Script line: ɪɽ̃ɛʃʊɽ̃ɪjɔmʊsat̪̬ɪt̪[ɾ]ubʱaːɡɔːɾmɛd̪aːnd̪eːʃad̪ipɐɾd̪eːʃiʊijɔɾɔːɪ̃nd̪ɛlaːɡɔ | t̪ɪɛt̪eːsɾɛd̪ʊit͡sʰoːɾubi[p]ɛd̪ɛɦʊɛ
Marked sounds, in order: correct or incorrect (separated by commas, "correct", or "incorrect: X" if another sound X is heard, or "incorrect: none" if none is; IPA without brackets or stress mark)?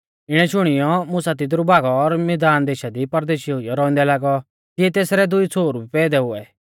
correct, correct